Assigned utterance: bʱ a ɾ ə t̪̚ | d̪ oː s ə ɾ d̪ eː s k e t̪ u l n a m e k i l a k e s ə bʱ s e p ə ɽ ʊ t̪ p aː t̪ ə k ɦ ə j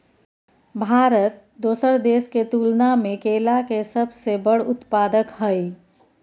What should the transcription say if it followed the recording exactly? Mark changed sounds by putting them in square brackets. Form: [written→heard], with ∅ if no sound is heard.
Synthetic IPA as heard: bʱ a ɾ ə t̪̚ | d̪ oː s ə ɾ d̪ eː s k e t̪ u l n a m e k [i→e] l a k e s ə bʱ s e [p→b] ə ɽ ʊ t̪ p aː [t̪→d̪] ə k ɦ ə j